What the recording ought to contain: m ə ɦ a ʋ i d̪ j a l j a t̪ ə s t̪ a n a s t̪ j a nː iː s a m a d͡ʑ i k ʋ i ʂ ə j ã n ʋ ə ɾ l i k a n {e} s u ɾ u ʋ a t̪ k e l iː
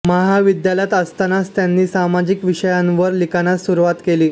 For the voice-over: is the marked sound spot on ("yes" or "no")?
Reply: no